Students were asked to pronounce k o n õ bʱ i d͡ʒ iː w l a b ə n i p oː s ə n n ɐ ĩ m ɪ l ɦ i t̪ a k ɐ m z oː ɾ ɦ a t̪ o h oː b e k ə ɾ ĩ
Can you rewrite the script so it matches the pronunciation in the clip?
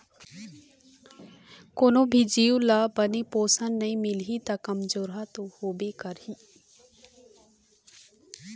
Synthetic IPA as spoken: k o n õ bʱ i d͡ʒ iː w l a b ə n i p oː s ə n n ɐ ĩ m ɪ l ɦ i t̪ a k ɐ m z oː ɾ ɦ a t̪ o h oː b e k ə ɾ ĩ